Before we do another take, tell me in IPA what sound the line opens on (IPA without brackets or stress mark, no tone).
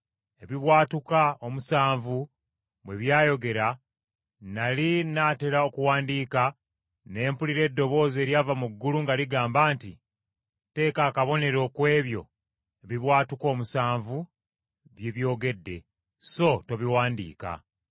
e̞